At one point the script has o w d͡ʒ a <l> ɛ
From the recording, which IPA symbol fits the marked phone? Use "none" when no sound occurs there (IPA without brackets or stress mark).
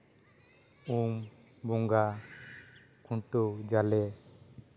l